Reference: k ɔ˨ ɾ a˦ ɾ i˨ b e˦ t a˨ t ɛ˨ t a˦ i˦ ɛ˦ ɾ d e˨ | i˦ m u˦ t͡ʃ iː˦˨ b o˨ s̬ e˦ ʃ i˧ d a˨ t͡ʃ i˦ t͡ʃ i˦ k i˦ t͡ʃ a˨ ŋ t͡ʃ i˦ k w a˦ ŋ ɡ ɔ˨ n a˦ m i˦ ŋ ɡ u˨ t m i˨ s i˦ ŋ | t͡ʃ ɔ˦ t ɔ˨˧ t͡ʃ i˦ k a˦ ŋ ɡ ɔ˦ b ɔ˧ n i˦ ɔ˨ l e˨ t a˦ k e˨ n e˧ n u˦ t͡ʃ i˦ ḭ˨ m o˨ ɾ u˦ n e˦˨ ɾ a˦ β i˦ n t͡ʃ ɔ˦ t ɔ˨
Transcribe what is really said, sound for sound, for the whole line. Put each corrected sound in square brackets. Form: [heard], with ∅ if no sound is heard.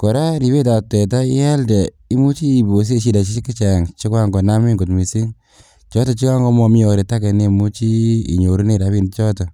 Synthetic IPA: k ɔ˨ ɾ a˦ ɾ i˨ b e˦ t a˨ t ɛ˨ t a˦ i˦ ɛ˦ [l] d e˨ | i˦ m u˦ t͡ʃ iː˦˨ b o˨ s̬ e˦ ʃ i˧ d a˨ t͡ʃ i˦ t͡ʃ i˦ k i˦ t͡ʃ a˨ ŋ t͡ʃ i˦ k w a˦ ŋ ɡ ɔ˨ n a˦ m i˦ ŋ ɡ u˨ t m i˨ s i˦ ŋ | t͡ʃ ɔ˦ t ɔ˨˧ t͡ʃ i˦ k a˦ ŋ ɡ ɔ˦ [m] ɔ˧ [m] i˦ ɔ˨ [ɾ] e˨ t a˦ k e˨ n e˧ [m] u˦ t͡ʃ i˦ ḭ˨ [ɲ] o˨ ɾ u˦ n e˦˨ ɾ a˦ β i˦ n t͡ʃ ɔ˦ t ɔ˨